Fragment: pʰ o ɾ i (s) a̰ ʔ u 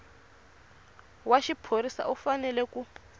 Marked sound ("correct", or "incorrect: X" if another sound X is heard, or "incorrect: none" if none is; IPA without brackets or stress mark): correct